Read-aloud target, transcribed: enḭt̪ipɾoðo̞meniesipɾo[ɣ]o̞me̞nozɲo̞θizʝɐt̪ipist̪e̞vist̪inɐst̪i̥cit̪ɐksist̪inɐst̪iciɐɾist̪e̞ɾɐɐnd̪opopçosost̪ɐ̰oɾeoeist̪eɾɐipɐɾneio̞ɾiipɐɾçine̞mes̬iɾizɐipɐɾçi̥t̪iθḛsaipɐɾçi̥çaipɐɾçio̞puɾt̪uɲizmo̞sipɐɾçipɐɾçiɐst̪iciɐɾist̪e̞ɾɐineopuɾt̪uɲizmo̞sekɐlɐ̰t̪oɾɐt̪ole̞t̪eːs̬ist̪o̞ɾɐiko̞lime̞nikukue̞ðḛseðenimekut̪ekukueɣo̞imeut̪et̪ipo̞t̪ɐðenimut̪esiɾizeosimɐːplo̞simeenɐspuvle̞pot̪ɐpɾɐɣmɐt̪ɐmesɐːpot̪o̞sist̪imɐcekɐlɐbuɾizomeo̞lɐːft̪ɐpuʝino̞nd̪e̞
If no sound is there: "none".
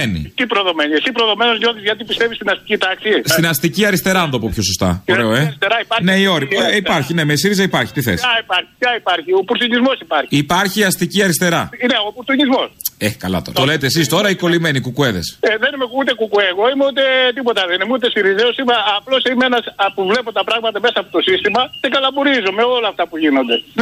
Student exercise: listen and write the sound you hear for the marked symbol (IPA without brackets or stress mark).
ð